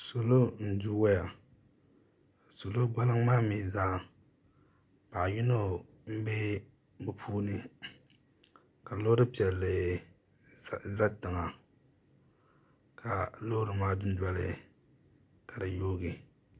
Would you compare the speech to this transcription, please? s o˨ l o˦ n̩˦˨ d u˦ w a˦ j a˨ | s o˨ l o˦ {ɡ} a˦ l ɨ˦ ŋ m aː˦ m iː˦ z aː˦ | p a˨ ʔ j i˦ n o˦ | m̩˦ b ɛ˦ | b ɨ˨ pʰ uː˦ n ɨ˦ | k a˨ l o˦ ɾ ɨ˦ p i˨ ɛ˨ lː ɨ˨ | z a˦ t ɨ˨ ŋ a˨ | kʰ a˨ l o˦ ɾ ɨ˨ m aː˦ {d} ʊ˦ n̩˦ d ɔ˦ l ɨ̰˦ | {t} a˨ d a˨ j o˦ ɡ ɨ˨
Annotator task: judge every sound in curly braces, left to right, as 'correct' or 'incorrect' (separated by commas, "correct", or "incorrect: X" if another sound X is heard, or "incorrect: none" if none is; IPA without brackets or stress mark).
incorrect: ɡ͡b, correct, incorrect: k